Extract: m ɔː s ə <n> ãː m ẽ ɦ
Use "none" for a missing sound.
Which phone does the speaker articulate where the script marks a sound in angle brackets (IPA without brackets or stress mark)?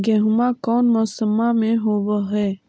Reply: m